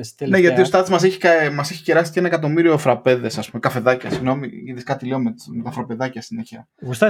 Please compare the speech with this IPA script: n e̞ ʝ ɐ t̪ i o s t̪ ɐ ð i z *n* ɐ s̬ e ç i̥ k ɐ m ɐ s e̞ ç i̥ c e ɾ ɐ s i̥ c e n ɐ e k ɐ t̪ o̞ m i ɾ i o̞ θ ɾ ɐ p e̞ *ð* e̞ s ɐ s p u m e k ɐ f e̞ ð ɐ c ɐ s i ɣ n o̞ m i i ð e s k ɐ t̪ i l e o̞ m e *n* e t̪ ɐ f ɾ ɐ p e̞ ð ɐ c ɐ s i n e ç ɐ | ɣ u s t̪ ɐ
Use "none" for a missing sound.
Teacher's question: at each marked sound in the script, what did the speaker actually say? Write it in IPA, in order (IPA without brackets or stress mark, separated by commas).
m, ð, m